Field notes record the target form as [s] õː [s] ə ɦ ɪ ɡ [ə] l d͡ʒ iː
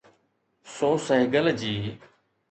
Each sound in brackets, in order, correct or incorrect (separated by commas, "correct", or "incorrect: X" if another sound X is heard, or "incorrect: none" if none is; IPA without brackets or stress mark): correct, correct, correct